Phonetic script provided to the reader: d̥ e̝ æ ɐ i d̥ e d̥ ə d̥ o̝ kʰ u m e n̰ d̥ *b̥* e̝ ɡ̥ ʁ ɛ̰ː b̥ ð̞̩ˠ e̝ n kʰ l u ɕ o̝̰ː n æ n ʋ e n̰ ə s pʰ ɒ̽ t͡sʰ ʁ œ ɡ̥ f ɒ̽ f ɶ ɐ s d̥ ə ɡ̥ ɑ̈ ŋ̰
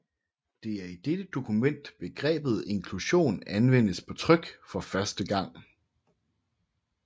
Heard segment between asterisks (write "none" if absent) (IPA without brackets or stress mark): b̥